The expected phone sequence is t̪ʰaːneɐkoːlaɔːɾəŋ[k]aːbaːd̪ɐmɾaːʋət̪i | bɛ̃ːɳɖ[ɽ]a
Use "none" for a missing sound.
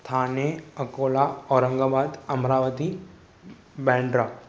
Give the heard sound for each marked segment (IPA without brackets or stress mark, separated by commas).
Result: ɡ, ɾ